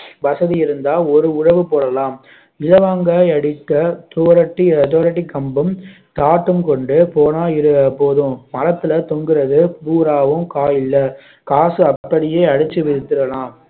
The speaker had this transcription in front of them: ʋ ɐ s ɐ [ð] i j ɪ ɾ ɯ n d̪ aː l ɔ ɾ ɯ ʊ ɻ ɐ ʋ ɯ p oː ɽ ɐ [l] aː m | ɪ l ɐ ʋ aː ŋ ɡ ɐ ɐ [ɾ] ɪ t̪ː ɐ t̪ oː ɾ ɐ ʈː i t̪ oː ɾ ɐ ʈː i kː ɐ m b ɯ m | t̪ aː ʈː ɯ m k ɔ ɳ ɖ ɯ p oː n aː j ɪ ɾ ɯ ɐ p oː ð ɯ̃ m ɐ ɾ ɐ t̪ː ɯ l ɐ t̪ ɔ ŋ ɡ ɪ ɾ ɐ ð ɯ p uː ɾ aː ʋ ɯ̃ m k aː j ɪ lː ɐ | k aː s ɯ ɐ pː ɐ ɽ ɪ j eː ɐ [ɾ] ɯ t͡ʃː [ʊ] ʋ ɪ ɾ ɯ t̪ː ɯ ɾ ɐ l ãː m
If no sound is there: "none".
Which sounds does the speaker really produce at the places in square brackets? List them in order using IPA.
ð, l, ɽ, ɽ, ɯ

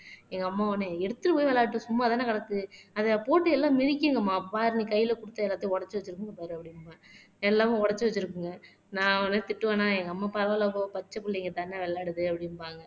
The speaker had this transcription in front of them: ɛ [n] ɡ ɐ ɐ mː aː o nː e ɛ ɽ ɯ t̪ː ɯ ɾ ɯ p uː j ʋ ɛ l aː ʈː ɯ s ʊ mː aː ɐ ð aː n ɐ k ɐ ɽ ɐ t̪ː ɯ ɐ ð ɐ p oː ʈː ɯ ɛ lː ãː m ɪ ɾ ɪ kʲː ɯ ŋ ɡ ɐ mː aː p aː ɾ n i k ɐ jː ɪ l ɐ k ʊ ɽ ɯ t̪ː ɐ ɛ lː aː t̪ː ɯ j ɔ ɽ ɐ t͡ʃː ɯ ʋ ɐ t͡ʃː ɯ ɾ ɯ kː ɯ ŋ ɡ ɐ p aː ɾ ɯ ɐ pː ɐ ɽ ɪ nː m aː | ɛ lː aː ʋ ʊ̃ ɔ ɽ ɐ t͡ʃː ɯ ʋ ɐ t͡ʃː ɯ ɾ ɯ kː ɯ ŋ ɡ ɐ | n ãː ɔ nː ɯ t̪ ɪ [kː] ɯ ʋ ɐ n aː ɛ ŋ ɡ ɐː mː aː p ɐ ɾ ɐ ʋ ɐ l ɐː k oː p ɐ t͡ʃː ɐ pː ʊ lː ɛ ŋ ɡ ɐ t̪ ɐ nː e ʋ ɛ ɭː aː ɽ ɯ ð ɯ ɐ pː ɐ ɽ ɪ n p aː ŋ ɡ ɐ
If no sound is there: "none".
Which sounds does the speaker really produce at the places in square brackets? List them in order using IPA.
ŋ, ʈː

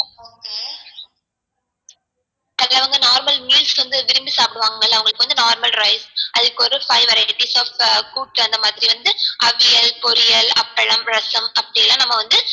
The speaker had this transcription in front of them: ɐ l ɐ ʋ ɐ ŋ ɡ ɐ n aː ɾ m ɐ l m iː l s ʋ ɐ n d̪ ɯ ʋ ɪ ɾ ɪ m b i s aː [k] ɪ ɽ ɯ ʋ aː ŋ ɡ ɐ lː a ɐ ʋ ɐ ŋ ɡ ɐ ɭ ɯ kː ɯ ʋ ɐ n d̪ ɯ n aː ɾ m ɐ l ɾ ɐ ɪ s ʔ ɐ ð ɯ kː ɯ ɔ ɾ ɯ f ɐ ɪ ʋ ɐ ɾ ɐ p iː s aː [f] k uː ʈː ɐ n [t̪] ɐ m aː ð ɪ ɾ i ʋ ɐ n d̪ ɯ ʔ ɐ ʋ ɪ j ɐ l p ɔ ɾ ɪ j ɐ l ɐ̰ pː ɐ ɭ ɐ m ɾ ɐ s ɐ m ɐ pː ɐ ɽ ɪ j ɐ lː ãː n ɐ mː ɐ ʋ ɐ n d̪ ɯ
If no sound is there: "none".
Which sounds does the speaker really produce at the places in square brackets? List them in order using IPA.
p, f, d̪

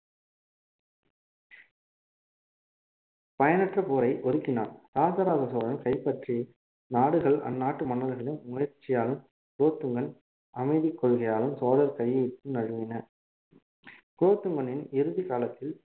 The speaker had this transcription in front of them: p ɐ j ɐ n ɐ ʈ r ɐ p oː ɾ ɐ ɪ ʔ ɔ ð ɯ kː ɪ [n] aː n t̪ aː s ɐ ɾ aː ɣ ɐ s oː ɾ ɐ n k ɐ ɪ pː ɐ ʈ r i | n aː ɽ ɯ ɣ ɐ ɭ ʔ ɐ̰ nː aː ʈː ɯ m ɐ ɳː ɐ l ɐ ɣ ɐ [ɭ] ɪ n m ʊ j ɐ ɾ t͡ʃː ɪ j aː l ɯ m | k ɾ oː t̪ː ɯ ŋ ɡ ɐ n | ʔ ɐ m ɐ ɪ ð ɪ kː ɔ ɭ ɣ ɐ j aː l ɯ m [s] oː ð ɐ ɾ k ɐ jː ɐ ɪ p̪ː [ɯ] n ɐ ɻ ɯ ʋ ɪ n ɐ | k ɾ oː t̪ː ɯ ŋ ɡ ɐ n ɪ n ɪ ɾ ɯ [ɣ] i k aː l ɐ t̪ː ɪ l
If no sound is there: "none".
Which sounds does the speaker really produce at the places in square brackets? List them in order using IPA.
n, ɭ, s, ɯ, ð

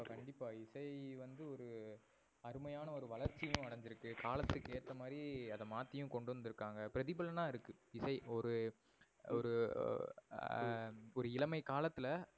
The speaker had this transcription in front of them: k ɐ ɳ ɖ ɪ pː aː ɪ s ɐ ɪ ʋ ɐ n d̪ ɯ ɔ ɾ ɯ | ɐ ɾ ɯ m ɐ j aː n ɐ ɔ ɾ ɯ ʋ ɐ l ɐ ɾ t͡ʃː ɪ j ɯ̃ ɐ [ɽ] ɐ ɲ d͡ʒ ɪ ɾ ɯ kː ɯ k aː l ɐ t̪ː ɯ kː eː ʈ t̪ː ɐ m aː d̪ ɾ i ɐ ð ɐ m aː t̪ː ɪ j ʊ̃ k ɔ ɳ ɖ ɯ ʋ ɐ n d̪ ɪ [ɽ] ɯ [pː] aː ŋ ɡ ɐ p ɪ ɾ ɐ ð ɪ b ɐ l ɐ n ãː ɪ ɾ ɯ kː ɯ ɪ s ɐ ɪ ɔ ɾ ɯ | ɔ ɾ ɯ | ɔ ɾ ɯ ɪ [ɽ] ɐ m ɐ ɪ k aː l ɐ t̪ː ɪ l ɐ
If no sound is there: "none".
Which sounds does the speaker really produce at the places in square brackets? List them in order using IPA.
ɽ, ɾ, kː, l

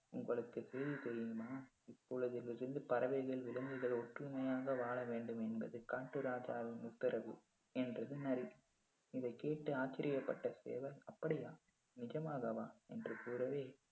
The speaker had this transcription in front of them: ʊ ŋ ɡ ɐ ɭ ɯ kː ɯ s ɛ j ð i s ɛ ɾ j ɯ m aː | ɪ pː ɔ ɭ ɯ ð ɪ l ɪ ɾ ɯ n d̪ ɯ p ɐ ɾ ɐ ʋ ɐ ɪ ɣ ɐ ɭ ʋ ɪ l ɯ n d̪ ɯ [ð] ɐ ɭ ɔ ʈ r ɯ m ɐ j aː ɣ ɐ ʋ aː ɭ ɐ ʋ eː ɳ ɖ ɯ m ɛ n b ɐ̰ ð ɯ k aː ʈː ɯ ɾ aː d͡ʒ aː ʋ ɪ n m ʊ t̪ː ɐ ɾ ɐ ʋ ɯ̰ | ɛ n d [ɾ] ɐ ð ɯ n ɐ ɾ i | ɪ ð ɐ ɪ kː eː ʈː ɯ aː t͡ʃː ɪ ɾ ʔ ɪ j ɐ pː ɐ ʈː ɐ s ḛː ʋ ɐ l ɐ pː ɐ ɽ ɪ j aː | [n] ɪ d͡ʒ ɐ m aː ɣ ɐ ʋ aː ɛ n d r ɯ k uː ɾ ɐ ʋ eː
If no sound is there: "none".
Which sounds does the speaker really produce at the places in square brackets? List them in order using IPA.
ɣ, r, n

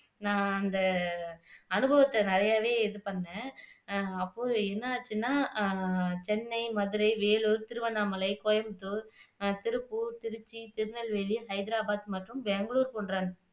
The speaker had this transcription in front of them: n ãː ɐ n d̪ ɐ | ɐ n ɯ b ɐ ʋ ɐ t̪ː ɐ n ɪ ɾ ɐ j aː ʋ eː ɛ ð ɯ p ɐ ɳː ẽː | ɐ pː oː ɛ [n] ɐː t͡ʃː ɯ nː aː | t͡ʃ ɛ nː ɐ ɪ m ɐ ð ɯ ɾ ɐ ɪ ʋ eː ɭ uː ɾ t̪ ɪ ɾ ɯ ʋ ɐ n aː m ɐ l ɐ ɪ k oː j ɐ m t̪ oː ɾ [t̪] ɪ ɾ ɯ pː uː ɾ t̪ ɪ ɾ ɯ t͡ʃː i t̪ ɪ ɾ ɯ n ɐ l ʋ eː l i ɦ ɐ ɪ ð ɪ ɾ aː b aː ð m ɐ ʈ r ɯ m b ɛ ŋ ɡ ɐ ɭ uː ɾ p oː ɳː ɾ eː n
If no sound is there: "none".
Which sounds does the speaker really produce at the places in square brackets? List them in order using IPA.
nː, t̪

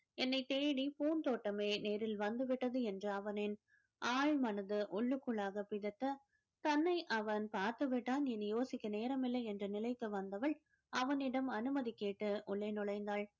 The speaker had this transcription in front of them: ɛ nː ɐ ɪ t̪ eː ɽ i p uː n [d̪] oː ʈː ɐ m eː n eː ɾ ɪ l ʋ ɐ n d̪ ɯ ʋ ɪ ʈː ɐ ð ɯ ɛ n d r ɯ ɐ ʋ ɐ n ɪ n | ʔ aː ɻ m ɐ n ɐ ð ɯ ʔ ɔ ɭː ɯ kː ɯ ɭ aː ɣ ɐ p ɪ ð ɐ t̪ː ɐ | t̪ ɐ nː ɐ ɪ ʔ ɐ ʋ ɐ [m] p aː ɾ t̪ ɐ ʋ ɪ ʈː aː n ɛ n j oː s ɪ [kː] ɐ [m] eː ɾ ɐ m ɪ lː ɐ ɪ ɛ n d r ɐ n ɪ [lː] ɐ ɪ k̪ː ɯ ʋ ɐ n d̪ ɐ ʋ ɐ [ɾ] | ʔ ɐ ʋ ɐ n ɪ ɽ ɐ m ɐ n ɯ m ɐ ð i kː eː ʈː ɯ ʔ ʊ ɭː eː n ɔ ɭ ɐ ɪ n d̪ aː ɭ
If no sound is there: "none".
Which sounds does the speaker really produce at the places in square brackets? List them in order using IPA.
t̪, n, kː, n, l, ɭ

